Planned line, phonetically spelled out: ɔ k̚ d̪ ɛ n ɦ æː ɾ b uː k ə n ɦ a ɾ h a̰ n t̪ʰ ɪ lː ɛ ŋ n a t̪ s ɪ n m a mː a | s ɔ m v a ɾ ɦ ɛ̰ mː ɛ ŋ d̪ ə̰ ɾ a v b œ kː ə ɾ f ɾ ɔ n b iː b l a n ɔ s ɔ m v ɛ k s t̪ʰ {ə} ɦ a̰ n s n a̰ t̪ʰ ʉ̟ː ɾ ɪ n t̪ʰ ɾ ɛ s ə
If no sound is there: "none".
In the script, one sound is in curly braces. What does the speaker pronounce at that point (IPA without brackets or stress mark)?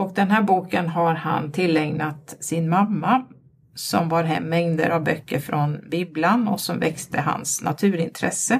ə